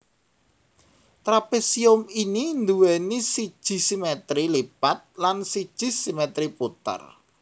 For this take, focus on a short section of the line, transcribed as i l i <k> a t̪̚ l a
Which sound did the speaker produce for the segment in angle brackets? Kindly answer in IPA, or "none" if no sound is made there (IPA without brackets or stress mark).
p